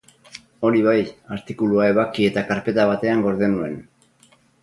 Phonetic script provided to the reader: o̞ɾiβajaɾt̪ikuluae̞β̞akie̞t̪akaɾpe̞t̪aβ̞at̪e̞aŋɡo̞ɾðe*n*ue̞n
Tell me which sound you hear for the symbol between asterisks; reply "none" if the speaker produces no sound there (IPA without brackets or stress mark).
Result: n